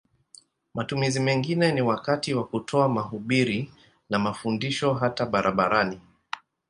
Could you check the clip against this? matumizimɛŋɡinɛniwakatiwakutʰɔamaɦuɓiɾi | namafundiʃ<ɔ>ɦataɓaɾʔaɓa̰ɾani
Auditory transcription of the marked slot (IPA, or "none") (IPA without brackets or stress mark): ɔ